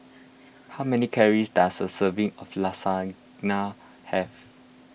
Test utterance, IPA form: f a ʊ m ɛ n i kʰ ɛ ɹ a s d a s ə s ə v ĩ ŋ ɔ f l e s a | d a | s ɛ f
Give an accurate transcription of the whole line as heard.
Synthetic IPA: h a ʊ m ɛ n i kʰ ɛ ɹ i s d a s ə s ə v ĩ ŋ ɔ f l a s a | n a | h ɛ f